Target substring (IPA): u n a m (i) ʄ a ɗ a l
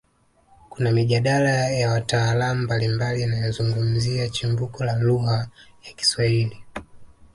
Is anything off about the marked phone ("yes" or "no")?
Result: no